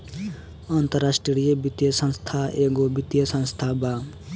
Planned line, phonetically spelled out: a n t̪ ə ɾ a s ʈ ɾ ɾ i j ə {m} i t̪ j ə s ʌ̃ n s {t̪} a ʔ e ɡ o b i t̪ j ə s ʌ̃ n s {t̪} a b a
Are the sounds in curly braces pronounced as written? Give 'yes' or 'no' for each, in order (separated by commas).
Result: no, no, no